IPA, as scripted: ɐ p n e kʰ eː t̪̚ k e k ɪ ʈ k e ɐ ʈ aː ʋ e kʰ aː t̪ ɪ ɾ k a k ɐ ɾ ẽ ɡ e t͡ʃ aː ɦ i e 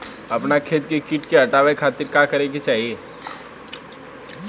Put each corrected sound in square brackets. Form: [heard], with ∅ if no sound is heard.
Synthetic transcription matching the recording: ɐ p n [a] kʰ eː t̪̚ k e k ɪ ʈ k e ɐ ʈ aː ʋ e kʰ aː t̪ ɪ ɾ k a k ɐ ɾ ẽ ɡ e t͡ʃ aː ɦ i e